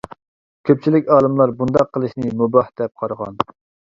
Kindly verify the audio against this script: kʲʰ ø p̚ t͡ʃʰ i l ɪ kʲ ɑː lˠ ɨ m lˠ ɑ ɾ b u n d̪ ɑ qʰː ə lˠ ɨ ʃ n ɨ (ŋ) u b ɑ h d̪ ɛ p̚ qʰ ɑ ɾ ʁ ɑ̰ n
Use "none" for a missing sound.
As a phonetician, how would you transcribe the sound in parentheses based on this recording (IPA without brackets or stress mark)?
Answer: m